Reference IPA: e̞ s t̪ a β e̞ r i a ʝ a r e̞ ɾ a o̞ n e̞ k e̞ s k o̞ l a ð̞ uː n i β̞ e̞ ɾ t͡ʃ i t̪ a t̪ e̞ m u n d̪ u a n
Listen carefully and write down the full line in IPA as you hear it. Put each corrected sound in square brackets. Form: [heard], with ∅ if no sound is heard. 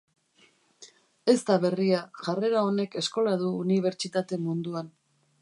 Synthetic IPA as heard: e̞ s t̪ a β e̞ r i a ʝ a r e̞ ɾ a o̞ n e̞ k e̞ s k o̞ l a ð̞ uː n i β̞ e̞ ɾ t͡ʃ i t̪ a t̪ e̞ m u n d̪ u a n